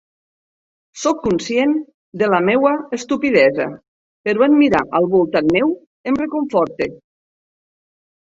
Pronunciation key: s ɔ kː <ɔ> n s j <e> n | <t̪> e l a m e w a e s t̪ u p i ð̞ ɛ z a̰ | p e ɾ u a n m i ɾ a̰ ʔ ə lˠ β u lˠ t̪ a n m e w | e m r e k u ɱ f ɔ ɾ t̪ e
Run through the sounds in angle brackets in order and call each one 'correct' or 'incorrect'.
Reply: incorrect: u, correct, incorrect: d̪

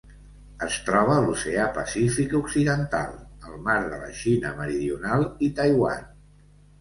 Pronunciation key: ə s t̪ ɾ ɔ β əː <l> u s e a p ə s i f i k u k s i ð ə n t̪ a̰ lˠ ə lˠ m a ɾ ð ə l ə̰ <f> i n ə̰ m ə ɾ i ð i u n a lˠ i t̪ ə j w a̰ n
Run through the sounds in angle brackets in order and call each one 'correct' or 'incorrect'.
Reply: correct, incorrect: ʃ

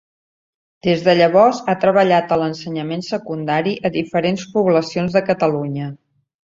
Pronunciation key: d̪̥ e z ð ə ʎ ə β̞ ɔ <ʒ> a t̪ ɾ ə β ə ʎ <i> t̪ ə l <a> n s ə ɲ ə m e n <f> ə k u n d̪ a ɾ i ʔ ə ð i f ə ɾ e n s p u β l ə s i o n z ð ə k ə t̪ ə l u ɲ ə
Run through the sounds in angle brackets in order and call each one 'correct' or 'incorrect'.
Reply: incorrect: z, incorrect: a, incorrect: ə, incorrect: s

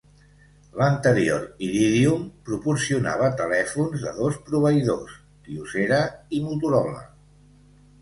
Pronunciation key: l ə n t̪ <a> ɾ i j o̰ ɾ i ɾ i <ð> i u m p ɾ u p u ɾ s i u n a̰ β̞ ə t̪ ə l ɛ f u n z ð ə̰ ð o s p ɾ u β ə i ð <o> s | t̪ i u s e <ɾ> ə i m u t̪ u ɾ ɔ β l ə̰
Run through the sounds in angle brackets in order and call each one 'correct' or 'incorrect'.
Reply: incorrect: ə, correct, correct, correct

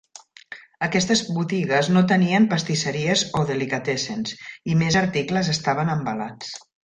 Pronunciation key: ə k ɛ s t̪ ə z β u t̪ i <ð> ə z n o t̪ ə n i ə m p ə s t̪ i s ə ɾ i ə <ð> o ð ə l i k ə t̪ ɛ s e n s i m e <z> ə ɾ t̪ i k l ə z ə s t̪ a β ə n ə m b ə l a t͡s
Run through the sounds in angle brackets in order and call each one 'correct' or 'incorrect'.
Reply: incorrect: ɣ, incorrect: z, correct

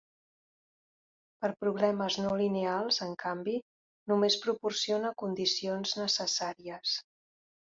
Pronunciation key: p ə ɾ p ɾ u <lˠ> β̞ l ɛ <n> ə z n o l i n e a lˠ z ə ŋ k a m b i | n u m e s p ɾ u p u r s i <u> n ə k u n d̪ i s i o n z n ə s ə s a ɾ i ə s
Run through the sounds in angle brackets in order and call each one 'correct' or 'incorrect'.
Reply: incorrect: none, incorrect: m, incorrect: o

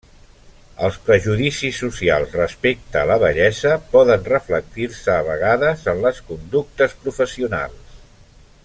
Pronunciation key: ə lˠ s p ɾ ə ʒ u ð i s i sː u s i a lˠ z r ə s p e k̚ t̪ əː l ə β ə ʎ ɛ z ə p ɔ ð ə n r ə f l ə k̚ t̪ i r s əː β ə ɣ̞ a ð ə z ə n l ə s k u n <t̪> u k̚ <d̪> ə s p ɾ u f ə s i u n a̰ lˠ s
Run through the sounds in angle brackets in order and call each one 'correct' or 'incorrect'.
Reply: incorrect: d̪, incorrect: t̪

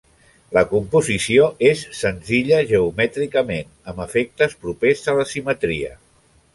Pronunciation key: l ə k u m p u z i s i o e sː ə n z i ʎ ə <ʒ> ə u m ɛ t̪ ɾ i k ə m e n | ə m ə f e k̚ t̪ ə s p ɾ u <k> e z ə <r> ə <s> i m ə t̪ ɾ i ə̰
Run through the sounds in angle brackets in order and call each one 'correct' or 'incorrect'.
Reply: correct, incorrect: p, incorrect: l, correct

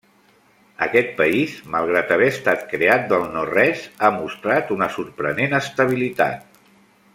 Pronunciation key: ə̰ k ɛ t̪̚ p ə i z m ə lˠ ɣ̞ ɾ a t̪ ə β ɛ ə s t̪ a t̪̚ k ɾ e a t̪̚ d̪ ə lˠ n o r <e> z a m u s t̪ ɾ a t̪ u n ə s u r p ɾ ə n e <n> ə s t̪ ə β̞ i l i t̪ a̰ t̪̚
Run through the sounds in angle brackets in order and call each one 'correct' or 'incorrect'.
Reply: incorrect: ɛ, correct

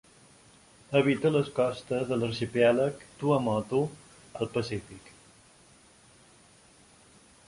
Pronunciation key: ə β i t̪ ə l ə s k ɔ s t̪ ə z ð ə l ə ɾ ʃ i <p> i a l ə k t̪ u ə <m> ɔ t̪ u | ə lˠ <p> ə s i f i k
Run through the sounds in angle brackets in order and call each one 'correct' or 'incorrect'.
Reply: correct, correct, correct

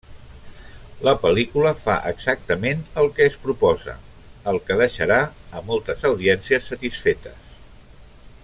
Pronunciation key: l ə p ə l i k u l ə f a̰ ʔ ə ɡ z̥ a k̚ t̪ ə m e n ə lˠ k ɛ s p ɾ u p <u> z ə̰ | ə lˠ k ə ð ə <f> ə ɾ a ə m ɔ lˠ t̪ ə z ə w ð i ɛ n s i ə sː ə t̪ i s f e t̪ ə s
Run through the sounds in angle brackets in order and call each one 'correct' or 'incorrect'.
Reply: incorrect: ɔ, incorrect: ʃ

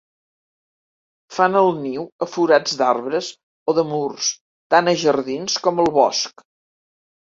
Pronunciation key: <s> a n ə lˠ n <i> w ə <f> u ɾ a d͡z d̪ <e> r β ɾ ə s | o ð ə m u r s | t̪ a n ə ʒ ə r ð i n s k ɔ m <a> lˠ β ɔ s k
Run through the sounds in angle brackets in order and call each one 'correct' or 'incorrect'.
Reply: incorrect: f, correct, correct, incorrect: a, incorrect: ə

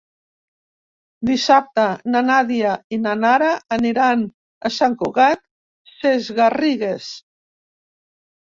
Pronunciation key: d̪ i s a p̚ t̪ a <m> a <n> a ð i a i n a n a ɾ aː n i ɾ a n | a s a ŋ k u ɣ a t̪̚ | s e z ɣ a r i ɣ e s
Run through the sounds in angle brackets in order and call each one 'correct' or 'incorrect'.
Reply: incorrect: n, correct

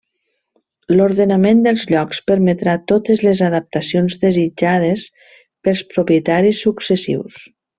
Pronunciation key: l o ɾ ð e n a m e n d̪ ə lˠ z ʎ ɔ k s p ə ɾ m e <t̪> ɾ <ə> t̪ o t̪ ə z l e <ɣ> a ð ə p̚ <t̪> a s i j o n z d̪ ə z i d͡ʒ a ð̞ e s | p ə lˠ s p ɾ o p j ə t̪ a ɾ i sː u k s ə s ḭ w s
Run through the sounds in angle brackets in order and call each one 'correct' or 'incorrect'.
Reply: correct, incorrect: a, incorrect: z, correct

